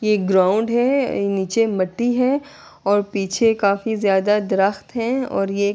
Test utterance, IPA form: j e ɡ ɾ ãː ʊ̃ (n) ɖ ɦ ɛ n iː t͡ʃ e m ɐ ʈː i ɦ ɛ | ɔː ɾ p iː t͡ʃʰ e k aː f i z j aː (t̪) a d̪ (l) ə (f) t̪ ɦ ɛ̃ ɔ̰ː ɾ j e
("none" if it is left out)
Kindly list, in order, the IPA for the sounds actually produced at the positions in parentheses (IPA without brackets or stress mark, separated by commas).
ɳ, d̪, ɾ, x